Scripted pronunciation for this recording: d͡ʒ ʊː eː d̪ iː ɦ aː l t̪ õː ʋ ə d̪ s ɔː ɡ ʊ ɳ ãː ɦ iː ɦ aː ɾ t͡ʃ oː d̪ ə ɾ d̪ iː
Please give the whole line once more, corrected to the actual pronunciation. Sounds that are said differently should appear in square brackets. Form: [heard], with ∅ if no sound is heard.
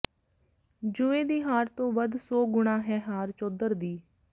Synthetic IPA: d͡ʒ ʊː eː d̪ iː ɦ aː [ɾ] t̪ õː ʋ ə d̪ s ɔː ɡ ʊ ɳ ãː ɦ [ɛː] ɦ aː ɾ t͡ʃ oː d̪ ə ɾ d̪ iː